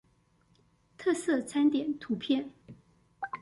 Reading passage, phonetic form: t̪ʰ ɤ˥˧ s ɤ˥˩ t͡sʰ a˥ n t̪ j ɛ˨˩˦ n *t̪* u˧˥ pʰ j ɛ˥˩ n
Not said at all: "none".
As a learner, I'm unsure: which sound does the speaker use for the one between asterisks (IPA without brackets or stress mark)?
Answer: t̪ʰ